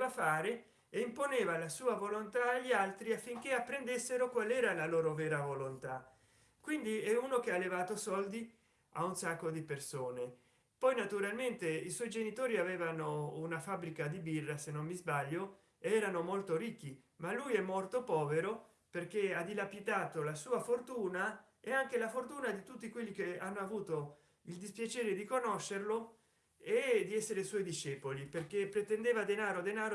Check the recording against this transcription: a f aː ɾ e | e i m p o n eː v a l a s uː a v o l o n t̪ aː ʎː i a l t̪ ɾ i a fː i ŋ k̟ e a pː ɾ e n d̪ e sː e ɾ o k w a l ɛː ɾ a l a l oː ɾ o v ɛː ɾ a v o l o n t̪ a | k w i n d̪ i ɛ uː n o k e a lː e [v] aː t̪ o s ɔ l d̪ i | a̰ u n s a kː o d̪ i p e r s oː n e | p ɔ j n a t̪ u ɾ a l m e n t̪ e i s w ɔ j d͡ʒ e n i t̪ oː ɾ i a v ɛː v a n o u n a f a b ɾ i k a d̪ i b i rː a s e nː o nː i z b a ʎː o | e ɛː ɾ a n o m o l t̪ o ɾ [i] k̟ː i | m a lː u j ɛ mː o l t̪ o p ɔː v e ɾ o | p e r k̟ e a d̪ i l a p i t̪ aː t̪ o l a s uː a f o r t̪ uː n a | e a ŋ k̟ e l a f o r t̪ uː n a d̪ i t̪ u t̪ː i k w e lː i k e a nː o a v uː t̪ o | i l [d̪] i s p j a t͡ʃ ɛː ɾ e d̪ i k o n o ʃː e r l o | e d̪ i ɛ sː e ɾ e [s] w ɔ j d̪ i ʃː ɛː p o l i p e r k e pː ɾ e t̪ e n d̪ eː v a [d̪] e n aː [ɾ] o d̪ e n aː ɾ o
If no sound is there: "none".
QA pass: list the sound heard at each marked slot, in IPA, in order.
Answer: v, i, d̪, s, d̪, ɾ

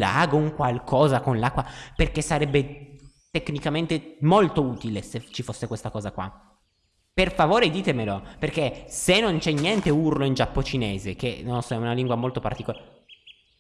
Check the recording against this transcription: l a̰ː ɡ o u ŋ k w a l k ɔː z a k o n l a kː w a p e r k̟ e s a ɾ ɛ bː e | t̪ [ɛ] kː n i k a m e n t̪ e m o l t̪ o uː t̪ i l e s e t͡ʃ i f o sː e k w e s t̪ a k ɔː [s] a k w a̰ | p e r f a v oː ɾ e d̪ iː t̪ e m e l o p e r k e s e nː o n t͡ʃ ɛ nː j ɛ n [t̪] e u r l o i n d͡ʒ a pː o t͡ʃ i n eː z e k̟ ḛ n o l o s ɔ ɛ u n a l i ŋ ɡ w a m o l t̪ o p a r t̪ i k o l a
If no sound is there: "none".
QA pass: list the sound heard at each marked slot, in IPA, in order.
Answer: e, z, t̪

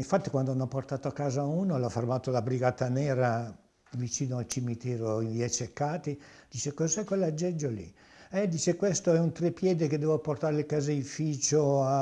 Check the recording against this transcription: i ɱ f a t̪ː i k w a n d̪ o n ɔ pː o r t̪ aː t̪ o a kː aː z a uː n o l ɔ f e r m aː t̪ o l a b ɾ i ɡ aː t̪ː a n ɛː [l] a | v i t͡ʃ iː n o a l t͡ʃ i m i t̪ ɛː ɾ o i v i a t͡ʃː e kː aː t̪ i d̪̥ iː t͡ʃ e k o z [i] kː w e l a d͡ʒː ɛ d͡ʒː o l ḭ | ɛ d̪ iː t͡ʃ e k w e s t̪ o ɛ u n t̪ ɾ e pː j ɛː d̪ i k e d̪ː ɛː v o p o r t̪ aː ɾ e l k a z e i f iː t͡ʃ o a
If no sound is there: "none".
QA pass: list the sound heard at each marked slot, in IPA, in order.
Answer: ɾ, ɛ

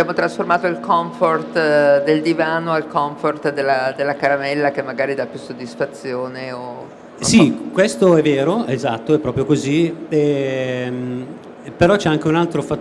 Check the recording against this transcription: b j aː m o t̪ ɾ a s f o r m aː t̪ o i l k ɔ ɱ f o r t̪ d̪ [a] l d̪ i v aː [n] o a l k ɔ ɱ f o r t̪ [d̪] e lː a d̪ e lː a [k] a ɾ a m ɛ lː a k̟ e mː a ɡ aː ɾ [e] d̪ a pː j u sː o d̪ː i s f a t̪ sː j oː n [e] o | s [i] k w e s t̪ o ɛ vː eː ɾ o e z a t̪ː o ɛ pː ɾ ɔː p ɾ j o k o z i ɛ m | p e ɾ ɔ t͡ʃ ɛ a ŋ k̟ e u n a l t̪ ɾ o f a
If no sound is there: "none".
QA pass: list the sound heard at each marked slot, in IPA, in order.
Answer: e, n, d̪, k, i, e, i

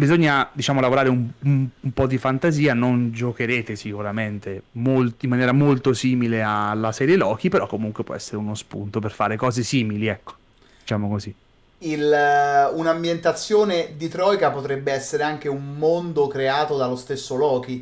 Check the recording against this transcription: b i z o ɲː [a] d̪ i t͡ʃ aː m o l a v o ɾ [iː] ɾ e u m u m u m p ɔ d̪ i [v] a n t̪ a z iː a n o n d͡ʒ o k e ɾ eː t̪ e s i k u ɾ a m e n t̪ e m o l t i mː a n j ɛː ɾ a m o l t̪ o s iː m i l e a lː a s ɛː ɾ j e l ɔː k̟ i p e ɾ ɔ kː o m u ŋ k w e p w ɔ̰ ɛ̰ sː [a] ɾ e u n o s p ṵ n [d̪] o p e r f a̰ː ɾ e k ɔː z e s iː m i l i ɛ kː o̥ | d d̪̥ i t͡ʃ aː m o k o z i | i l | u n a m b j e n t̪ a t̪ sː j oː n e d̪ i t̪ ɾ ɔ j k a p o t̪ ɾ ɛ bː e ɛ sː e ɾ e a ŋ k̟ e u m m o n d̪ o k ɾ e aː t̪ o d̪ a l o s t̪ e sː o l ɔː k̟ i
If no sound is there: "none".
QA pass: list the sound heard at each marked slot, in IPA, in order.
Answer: a, aː, f, e, t̪

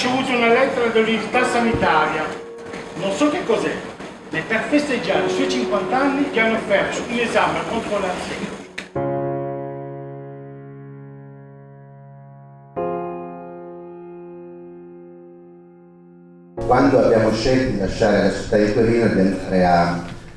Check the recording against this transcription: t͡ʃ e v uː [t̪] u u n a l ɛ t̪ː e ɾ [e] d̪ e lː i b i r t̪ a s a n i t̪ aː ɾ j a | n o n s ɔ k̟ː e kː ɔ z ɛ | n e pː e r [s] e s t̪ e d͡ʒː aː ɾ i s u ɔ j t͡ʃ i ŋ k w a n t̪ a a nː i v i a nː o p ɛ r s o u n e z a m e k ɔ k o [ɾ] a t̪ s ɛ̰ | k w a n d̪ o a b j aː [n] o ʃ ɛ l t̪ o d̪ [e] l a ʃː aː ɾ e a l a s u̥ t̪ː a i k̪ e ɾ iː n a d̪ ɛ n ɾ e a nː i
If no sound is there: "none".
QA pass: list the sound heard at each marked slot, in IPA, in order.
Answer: t̪, a, f, l, m, i

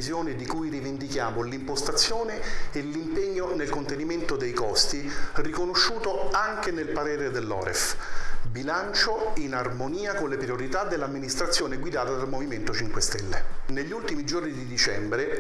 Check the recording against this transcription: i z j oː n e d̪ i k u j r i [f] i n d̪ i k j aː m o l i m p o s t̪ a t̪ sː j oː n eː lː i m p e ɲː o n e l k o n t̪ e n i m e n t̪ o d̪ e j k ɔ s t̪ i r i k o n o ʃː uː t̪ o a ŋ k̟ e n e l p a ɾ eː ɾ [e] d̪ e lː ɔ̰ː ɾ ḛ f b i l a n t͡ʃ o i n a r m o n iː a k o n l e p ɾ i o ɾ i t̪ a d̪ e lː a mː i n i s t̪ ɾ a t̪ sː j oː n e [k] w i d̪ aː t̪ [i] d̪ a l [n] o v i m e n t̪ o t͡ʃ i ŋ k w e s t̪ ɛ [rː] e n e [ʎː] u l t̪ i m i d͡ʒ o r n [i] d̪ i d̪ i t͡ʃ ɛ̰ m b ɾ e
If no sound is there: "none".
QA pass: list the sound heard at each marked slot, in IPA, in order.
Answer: v, e, ɡ, a, m, lː, ʎː, i

